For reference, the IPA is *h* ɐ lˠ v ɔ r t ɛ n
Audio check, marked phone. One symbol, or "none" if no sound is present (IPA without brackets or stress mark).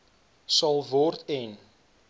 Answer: s